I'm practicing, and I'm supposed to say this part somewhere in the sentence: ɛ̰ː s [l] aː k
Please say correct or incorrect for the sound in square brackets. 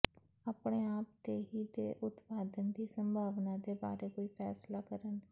correct